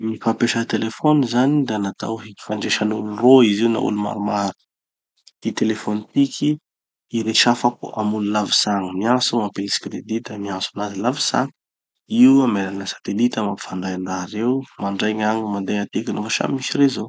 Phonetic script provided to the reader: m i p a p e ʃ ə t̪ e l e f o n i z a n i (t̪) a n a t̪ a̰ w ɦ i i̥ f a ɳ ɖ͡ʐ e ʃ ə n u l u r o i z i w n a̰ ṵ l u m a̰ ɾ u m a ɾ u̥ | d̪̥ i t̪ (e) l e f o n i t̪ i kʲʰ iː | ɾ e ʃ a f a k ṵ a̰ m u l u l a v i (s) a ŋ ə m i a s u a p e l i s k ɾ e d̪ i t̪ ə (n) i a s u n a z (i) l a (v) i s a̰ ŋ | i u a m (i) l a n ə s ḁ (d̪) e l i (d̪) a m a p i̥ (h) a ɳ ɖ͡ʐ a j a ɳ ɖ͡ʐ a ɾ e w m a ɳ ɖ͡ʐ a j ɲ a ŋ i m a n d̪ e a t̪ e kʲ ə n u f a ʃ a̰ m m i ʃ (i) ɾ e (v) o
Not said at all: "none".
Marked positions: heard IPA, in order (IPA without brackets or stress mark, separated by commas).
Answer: d̪, e, s, m, i, v, e, t̪, t̪, f, i, z